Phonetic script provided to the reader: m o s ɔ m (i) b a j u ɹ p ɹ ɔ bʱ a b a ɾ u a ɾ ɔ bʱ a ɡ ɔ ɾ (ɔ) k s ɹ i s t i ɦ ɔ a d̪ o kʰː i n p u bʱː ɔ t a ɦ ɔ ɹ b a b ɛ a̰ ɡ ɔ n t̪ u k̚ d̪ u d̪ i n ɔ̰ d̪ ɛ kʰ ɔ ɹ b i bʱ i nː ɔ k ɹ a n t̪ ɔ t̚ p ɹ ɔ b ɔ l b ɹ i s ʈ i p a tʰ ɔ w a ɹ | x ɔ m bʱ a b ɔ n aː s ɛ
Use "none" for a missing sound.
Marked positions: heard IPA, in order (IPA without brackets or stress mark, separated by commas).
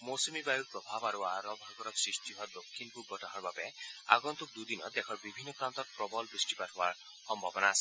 i, ɔ